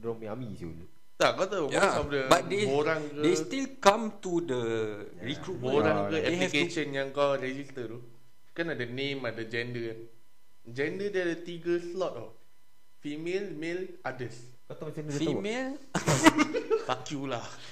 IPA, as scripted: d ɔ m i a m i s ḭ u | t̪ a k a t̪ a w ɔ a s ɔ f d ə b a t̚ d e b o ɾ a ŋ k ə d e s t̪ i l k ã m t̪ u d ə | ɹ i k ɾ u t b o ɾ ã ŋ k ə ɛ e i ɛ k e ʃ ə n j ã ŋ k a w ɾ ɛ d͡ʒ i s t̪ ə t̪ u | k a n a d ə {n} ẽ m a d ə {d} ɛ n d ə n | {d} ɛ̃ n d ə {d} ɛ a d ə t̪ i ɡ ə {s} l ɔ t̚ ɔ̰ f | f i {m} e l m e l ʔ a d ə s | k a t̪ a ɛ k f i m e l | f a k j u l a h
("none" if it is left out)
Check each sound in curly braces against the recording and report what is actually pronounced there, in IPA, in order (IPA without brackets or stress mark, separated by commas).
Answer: n, d͡ʒ, d͡ʒ, d, s, m